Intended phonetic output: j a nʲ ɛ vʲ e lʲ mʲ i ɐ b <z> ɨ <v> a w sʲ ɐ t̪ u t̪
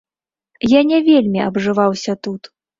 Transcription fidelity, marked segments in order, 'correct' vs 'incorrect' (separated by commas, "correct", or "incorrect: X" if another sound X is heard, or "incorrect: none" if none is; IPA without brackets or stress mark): incorrect: ʐ, correct